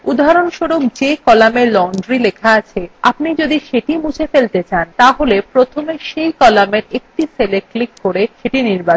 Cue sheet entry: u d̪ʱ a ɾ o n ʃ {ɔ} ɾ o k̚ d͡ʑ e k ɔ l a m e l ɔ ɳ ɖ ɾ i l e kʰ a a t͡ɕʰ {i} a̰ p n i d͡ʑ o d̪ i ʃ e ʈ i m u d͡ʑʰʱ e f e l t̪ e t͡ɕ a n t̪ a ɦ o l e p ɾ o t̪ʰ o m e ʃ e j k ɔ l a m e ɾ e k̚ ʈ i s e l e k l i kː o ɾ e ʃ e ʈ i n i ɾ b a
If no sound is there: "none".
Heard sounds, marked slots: o, e

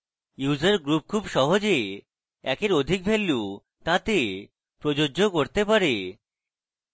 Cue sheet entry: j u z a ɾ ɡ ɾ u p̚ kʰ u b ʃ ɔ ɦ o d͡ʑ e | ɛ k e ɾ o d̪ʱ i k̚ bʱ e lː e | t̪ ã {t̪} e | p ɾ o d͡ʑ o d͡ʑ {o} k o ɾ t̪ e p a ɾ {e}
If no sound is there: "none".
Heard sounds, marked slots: t̪, o, e

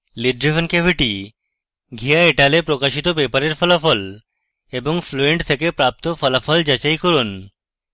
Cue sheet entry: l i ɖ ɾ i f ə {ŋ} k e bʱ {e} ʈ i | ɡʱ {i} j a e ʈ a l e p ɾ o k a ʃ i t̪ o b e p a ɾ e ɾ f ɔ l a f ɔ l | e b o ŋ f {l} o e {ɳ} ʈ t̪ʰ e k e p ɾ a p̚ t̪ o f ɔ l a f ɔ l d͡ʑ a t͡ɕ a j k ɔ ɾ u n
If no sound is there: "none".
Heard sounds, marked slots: n, i, i, l, ɳ

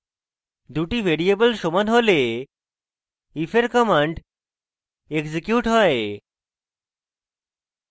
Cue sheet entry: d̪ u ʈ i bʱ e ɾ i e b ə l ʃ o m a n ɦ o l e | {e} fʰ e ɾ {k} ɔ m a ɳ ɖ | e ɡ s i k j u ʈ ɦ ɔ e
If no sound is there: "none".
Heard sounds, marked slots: i, k

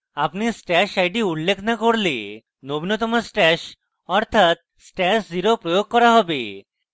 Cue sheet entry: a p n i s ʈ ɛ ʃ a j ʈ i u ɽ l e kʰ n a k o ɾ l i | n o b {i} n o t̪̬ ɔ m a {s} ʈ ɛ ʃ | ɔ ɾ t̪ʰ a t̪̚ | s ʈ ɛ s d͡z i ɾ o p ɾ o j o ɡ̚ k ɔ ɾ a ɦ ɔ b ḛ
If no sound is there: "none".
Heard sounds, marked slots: i, s

